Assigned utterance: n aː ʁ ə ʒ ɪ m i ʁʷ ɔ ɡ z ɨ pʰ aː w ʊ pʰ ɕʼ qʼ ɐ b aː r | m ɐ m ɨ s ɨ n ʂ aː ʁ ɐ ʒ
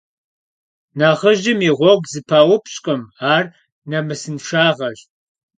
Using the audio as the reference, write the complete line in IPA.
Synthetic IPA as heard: n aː ʁ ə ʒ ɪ m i ʁʷ ɔ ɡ z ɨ pʰ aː w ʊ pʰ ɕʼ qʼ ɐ m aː r | n ɐ m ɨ s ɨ n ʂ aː ʁ ɐ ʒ